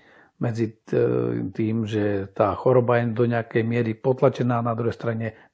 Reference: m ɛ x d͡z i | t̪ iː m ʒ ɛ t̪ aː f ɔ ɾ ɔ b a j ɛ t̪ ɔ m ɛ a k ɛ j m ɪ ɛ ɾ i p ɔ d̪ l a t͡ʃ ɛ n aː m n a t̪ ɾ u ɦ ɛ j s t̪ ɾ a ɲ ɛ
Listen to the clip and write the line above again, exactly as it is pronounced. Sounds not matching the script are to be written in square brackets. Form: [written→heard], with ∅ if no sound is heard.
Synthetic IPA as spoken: m ɛ [x→∅] d͡z i | t̪ iː m ʒ ɛ t̪ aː [f→x] ɔ ɾ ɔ b a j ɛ [t̪→d̪] ɔ [m→ɲ] ɛ a k ɛ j m ɪ ɛ ɾ i p ɔ [d̪→t̪] l a t͡ʃ ɛ n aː [m→∅] n a [t̪→d̪] ɾ u ɦ ɛ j s t̪ ɾ a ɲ ɛ